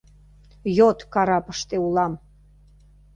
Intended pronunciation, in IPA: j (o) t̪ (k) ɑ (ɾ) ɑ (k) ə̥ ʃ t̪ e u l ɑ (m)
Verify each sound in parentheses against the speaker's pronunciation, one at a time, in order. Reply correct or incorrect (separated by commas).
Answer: correct, correct, correct, incorrect, correct